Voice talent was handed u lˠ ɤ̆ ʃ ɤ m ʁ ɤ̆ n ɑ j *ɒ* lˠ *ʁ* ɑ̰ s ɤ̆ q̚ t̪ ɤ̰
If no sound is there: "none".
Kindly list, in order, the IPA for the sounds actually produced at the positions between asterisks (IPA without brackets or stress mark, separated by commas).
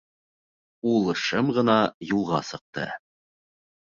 u, ʁ